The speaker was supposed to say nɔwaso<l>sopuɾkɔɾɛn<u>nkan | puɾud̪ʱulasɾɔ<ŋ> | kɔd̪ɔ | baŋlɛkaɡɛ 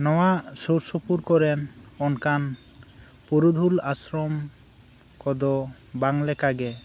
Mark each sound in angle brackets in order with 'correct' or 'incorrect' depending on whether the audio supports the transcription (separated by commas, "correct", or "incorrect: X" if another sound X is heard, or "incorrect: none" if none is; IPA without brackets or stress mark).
incorrect: ɾ, incorrect: ɔ, incorrect: m